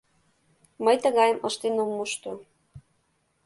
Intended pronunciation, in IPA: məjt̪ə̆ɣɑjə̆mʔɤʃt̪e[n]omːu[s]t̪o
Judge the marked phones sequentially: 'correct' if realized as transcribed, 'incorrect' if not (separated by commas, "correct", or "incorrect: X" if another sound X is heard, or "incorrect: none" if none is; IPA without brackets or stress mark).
correct, incorrect: ʃ